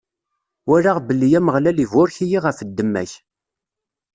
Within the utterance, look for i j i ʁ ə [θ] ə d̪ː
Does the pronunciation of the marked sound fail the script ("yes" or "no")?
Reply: yes